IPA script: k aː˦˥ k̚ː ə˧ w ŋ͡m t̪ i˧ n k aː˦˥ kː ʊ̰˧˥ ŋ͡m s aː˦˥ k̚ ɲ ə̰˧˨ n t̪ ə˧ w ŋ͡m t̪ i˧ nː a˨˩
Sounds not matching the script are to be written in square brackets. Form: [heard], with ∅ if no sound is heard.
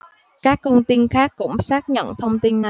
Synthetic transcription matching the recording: k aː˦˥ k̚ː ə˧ w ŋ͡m t̪ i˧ n [x] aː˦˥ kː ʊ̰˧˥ ŋ͡m s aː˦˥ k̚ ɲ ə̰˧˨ n [t̪ʰ] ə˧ w ŋ͡m t̪ i˧ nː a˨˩